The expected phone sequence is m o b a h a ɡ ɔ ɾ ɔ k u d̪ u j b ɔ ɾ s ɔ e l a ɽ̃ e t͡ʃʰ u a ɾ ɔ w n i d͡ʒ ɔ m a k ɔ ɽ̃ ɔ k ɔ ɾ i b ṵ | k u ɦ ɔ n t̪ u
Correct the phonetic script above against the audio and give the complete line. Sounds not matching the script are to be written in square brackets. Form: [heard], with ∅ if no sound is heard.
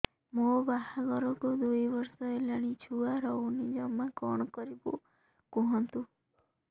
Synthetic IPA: m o b a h a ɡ ɔ ɾ ɔ k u d̪ u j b ɔ ɾ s ɔ e l a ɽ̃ [i] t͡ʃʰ u a ɾ ɔ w n i d͡ʒ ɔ m a k ɔ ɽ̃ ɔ k ɔ ɾ i b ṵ | k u ɦ ɔ n t̪ u